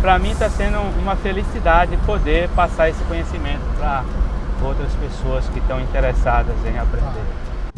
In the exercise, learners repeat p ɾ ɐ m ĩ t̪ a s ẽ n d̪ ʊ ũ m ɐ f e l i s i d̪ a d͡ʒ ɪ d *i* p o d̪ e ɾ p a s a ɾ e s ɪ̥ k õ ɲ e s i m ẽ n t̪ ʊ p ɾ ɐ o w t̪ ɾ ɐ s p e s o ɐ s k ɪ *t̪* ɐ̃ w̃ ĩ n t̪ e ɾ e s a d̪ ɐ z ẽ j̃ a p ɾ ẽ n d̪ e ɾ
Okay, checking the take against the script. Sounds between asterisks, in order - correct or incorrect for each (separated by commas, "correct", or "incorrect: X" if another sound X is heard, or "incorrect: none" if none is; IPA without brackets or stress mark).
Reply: incorrect: ɪ, correct